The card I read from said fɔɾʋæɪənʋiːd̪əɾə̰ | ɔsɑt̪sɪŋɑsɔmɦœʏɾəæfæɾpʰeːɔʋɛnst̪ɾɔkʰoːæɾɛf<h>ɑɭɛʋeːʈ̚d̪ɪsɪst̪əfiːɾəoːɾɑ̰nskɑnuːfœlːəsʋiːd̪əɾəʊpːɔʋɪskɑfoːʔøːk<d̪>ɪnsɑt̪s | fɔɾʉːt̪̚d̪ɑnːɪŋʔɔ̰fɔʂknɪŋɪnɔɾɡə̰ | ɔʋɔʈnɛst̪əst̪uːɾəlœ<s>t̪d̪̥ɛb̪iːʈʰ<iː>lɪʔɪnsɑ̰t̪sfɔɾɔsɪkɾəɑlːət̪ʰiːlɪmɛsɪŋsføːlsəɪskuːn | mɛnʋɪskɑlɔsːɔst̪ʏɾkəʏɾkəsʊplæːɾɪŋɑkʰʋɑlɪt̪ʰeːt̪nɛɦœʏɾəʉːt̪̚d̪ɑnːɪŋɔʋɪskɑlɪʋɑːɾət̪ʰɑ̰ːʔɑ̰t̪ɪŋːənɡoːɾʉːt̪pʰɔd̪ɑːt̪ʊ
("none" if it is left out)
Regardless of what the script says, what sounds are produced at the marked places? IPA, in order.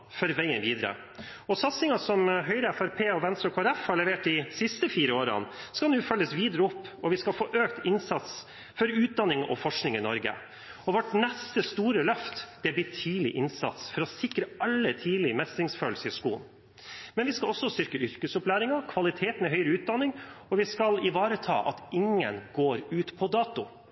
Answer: h, t̪, f, iː

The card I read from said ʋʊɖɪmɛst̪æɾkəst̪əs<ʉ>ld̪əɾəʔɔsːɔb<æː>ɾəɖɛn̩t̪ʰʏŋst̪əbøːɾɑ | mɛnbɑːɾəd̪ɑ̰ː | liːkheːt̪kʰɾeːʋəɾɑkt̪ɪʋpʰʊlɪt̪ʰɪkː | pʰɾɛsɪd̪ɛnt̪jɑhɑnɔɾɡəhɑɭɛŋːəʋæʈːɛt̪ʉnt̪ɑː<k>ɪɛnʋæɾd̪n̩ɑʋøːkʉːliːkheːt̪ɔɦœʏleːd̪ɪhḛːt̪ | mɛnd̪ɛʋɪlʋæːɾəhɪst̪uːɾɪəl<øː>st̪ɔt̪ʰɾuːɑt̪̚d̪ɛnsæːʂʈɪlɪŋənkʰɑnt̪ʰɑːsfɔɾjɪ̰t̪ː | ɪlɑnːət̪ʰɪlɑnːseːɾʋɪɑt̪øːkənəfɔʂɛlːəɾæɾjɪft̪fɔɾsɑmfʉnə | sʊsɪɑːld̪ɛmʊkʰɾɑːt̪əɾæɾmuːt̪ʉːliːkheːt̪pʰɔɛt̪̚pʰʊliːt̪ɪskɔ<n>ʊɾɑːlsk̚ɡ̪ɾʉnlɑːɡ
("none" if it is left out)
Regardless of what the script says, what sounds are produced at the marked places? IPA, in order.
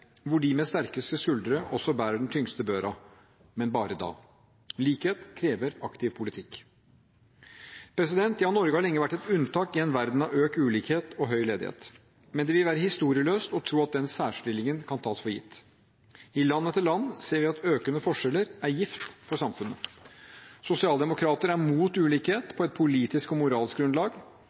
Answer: ʉ, æː, k, øː, m

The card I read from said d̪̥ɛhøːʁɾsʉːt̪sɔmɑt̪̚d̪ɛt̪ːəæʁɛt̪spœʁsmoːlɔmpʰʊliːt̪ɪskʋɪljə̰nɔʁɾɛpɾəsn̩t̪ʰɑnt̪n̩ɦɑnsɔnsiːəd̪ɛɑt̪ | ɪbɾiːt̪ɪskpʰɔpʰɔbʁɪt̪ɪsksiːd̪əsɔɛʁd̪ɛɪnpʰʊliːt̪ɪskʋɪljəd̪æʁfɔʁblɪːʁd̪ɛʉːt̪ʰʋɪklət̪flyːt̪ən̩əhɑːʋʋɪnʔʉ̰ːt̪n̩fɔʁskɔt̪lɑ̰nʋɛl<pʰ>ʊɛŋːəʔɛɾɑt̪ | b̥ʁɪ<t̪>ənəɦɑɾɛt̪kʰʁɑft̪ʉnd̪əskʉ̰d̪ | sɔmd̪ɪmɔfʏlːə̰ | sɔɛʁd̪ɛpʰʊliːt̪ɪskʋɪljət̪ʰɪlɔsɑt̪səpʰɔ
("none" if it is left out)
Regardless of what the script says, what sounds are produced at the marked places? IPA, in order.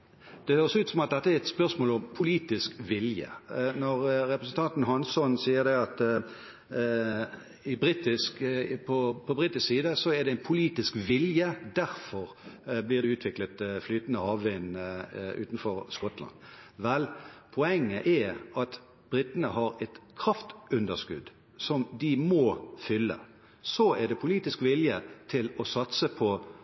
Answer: pʰ, t̪

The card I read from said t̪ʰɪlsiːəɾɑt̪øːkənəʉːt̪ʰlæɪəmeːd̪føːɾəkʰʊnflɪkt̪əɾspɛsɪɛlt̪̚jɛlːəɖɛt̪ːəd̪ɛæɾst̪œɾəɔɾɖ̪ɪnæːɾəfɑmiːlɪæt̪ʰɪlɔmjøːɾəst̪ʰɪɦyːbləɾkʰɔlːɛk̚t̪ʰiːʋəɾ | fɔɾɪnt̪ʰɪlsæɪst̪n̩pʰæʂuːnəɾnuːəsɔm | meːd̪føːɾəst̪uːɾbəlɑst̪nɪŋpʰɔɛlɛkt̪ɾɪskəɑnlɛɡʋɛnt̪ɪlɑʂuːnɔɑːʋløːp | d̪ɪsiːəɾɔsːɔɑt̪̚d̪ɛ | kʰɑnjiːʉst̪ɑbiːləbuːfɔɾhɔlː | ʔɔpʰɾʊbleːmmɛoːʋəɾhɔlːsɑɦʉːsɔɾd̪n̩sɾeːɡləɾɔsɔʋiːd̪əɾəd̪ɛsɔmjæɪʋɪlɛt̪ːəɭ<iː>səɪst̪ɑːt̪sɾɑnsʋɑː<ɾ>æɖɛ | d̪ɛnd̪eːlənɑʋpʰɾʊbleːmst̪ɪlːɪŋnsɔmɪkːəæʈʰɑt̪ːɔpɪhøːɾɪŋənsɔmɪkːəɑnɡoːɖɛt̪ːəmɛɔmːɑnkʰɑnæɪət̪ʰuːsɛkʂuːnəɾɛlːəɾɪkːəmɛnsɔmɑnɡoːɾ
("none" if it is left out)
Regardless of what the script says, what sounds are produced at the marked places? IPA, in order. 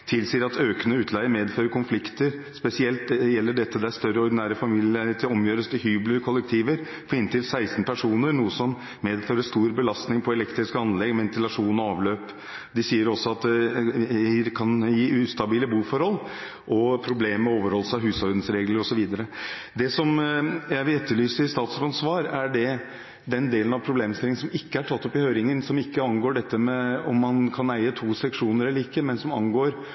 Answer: yː, ɾ

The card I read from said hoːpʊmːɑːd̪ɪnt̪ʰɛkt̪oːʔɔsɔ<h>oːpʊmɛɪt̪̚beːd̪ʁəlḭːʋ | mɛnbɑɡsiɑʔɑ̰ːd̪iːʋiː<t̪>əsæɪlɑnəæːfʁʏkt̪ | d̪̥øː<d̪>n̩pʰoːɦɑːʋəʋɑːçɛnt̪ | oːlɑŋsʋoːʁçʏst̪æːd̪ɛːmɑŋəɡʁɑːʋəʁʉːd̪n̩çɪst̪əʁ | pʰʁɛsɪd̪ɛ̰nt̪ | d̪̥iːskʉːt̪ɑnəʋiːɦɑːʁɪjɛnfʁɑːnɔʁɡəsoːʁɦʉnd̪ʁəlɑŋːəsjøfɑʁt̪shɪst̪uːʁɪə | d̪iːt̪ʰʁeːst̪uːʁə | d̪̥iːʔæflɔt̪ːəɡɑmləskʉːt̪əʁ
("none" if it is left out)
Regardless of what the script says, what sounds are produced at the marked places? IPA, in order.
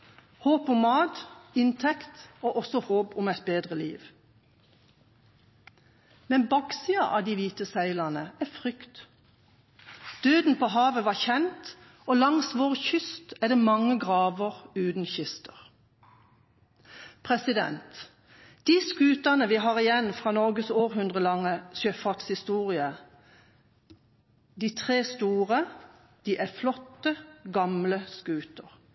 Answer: h, t̪, d̪

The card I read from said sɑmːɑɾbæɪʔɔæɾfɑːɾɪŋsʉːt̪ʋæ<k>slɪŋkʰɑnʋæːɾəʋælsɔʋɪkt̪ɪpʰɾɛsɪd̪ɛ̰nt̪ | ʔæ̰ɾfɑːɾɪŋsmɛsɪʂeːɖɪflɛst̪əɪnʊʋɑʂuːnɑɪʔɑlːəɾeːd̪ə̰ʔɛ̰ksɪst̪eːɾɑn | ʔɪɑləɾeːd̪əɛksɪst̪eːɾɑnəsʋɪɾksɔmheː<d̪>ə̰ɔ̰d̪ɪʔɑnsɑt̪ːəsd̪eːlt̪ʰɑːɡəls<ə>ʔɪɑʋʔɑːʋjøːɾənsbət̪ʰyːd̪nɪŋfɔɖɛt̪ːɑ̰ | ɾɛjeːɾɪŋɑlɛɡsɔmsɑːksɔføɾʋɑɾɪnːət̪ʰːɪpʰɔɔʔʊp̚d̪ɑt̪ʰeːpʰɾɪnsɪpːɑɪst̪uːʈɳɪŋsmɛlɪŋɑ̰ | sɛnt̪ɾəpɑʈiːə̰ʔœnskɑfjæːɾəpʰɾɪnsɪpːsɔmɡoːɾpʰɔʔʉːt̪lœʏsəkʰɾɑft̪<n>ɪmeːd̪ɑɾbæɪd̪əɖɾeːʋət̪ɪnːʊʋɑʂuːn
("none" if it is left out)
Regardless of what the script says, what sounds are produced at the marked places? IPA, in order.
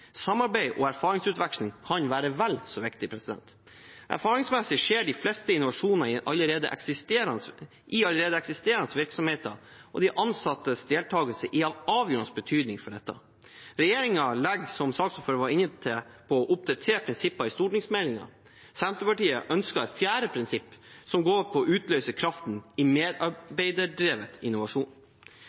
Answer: k, t̪, ə, n

